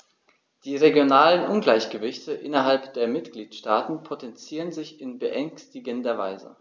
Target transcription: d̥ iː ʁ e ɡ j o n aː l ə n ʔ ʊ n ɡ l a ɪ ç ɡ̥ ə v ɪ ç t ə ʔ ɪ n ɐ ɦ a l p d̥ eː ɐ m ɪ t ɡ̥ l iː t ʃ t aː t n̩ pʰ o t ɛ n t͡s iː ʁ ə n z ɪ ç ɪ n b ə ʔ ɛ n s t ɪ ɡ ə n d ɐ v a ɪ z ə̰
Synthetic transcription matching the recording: d̥ iː ʁ e ɡ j o n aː l ə n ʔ ʊ n ɡ l a ɪ ç ɡ̥ ə v ɪ ç t ə ʔ ɪ n ɐ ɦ a l p d̥ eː ɐ m ɪ t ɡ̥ l iː t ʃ t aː t n̩ pʰ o t ɛ n t͡s iː ʁ ə n z ɪ ç ɪ n b ə ʔ ɛ ŋ s t ɪ ɡ ə n d ɐ v a ɪ z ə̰